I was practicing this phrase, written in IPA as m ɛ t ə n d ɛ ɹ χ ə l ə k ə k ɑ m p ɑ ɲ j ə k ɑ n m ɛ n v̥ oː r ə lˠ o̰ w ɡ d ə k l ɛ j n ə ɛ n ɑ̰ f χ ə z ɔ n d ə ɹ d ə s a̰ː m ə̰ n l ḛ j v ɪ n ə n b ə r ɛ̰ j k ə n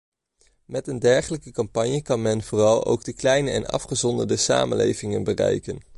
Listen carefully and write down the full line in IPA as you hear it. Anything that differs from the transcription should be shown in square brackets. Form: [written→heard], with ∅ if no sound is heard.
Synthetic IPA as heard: m ɛ t ə n d ɛ ɹ χ ə l ə k ə k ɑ m p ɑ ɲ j ə k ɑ n m ɛ n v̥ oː r [ə→ɑ] lˠ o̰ w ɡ d ə k l ɛ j n ə ɛ n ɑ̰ f χ ə z ɔ n d ə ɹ d ə s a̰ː m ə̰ n l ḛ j v ɪ [n→ŋ] ə n b ə r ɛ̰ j k ə n